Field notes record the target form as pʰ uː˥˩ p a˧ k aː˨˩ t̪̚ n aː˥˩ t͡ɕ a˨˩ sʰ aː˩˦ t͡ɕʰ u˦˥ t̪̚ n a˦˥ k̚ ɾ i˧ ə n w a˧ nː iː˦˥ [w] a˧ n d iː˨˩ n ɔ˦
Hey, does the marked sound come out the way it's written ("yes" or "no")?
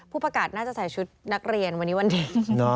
yes